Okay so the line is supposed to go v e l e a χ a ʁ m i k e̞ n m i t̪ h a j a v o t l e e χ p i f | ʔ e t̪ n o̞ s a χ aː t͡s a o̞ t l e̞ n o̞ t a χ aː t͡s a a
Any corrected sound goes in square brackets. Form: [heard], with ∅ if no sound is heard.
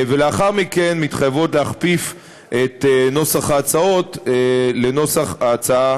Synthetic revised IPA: v e l e a χ a ʁ m i k e̞ n m i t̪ [χ] a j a v o t l e [a] χ p i f | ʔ e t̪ n o̞ s a χ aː t͡s a o̞ t l e̞ n o̞ [s] a χ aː t͡s a a